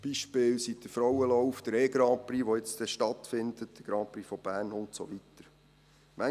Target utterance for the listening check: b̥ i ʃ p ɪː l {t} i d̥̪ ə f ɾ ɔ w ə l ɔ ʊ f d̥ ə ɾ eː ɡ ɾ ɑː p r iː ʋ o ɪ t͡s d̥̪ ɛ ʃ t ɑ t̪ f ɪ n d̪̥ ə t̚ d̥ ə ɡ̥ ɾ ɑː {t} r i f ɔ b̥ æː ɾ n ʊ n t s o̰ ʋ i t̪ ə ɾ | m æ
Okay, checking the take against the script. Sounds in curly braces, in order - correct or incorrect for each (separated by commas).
incorrect, incorrect